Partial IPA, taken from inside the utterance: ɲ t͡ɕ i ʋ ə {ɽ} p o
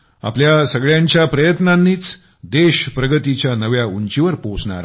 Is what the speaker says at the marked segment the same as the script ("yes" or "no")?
no